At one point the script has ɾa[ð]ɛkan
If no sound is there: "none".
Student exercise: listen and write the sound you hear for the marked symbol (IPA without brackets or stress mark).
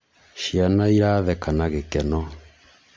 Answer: ð